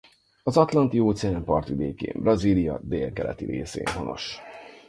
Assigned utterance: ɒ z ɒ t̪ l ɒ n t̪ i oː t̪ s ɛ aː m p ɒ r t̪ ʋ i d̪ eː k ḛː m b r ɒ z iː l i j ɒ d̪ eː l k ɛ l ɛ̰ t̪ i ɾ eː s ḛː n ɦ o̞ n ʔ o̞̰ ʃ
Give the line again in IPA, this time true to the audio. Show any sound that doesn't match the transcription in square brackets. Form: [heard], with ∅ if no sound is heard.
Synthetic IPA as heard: ɒ z ɒ t̪ l ɒ n t̪ i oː t̪ s ɛ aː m p ɒ r t̪ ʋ i d̪ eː k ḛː m b r ɒ z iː l i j ɒ d̪ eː l k ɛ l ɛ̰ t̪ i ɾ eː s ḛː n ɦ o̞ n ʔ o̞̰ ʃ